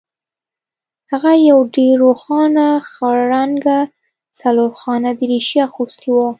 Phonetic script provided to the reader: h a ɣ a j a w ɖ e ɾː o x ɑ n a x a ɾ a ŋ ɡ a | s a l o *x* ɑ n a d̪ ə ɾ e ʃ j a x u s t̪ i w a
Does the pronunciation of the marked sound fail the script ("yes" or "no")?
no